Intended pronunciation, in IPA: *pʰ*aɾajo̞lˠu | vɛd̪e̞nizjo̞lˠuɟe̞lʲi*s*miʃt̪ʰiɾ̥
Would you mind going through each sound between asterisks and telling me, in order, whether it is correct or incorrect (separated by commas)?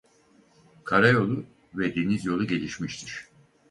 incorrect, incorrect